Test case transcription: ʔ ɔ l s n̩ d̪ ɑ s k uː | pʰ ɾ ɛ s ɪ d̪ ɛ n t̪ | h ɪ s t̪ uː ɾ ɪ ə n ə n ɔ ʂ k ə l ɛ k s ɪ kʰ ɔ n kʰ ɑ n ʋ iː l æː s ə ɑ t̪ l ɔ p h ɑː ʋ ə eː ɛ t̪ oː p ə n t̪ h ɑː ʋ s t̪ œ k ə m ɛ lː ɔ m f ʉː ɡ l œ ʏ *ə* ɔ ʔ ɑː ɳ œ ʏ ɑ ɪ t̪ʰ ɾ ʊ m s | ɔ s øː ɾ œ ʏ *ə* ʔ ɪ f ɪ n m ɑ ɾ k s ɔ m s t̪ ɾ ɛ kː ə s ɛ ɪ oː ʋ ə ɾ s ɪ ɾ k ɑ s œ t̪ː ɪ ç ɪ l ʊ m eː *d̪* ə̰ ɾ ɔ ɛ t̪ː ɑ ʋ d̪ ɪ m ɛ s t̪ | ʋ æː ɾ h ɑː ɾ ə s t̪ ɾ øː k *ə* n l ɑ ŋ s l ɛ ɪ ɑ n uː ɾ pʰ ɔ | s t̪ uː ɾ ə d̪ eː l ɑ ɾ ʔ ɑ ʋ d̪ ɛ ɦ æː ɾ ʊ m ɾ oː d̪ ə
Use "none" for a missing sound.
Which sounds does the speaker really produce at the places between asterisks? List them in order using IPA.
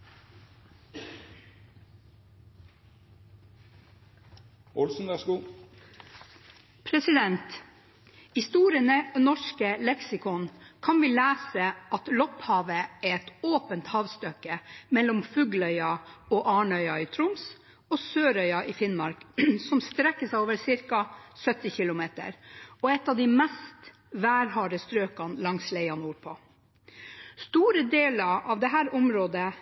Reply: ɑ, ɑ, t̪, ɑ

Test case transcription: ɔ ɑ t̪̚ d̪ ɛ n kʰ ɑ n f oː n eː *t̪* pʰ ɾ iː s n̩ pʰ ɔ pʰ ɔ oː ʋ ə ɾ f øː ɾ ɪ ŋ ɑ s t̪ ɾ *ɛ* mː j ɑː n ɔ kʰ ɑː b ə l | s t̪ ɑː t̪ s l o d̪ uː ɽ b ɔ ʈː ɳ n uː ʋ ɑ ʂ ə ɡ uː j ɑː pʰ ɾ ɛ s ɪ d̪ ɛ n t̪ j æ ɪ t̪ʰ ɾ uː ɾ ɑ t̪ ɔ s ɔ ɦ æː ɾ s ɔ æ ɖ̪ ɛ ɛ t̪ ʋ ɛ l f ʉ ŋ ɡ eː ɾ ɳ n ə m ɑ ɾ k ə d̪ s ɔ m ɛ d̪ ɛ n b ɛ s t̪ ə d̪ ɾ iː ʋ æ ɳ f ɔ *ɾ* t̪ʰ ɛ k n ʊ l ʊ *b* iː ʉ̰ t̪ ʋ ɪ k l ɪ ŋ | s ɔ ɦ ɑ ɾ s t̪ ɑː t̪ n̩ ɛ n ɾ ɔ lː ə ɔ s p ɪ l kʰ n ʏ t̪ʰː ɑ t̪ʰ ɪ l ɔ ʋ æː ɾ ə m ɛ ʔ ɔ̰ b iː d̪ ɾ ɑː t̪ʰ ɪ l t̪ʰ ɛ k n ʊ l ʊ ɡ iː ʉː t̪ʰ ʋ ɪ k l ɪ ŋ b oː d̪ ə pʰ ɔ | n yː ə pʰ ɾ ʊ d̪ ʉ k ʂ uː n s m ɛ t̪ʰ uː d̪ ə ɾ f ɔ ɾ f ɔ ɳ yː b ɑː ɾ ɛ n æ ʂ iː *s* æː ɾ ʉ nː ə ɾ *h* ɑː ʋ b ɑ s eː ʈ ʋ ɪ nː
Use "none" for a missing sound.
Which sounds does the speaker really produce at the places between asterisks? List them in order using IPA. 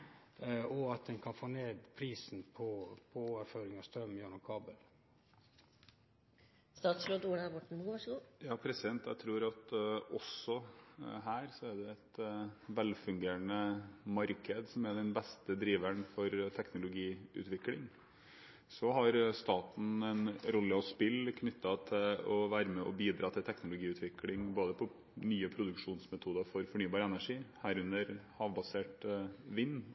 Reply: d̪, œ, ɾ, ɡ, h, h

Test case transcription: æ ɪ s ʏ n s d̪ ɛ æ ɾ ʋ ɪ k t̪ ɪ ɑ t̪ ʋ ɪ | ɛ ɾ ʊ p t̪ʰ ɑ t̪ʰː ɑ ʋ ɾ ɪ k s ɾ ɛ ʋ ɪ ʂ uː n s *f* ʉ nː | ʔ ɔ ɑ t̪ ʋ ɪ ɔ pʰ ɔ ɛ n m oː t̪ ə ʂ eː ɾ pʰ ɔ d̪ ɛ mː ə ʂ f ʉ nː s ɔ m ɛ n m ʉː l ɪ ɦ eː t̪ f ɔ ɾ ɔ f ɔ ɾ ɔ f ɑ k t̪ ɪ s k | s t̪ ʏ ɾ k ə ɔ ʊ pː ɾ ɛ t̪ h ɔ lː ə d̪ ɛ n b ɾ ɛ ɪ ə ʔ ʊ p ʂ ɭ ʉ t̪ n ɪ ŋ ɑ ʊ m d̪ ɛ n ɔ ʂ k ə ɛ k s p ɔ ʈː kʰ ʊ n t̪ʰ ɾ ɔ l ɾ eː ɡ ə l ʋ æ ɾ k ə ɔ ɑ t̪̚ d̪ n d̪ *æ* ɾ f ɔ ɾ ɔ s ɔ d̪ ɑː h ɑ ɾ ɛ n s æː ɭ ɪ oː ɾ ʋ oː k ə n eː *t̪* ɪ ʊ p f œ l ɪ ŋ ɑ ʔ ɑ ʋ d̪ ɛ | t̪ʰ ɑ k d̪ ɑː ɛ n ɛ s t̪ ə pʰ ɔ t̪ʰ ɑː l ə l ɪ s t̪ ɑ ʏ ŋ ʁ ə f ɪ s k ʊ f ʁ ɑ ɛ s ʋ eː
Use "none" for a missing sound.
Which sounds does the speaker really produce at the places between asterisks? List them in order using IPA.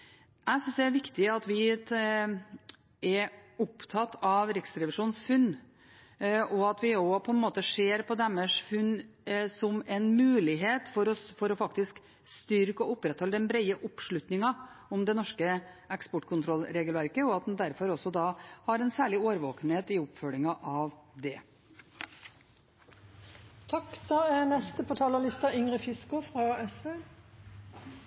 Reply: f, æ, t̪

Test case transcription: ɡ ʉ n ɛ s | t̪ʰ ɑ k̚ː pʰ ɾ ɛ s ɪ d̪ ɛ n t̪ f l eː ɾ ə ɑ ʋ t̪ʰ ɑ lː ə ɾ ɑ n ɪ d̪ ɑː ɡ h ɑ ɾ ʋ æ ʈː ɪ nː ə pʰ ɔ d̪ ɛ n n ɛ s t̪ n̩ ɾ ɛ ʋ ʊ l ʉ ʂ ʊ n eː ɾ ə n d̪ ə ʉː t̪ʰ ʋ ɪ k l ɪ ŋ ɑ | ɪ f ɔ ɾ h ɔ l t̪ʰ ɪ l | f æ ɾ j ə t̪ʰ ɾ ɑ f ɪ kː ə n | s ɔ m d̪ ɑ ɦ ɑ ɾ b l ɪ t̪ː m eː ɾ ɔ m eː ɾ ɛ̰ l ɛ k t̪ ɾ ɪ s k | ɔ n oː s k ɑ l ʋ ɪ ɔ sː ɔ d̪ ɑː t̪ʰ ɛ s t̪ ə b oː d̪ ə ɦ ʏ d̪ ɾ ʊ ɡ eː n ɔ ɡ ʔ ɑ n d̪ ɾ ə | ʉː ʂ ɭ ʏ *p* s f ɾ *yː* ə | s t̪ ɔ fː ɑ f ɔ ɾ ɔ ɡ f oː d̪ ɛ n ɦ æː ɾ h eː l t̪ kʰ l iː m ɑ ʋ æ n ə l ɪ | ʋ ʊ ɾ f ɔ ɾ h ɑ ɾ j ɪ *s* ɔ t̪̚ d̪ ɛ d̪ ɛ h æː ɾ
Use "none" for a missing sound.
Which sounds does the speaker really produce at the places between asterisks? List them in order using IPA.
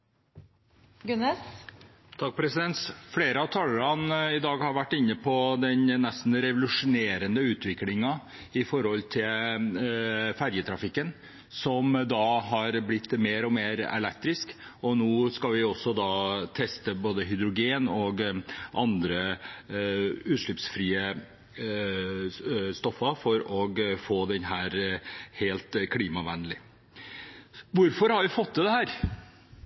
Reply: p, iː, f

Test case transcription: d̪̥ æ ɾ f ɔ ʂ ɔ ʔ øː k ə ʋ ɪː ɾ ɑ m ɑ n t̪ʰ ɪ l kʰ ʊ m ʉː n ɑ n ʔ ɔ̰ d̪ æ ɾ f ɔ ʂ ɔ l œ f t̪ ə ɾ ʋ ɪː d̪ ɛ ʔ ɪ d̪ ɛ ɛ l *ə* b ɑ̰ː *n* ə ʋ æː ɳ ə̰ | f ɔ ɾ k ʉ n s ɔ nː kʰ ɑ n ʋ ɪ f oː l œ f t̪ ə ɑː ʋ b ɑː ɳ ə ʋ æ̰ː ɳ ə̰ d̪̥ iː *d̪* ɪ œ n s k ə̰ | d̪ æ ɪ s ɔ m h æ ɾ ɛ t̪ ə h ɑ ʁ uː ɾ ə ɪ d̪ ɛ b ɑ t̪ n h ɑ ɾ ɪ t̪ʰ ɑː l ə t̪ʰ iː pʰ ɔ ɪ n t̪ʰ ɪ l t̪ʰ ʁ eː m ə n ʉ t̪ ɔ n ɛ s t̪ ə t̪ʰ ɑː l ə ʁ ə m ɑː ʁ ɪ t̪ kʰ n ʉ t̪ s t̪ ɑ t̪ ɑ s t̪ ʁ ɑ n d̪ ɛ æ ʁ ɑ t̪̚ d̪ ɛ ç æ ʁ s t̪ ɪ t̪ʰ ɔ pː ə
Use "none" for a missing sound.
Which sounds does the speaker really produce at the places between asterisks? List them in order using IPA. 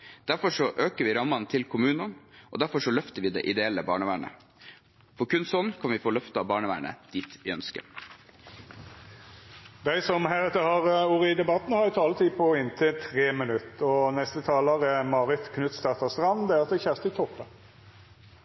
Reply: ə, ɳ, t̪

